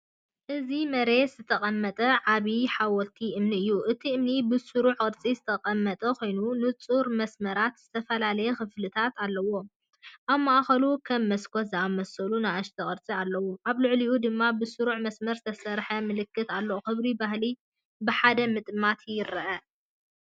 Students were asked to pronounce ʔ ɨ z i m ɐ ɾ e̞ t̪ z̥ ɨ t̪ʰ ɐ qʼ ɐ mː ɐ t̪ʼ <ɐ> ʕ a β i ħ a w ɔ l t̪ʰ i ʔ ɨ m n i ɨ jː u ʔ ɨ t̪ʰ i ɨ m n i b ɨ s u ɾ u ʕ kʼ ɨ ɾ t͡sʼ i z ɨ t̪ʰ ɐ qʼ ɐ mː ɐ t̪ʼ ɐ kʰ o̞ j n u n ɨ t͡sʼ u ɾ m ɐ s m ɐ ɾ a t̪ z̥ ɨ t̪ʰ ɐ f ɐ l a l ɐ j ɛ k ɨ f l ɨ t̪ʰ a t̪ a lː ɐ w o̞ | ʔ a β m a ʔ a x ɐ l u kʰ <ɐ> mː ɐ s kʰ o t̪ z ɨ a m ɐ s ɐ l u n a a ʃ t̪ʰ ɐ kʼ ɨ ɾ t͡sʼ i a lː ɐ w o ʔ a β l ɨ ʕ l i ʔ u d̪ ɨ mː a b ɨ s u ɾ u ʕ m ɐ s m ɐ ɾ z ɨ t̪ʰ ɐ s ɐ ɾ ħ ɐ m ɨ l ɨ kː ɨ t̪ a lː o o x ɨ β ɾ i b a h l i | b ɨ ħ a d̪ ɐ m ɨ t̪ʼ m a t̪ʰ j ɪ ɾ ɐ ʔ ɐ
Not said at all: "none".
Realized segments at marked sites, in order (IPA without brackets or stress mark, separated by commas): ɐ, ɐ